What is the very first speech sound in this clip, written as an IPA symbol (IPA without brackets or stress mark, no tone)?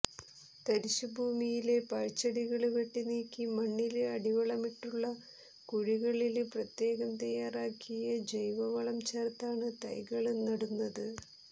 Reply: t̪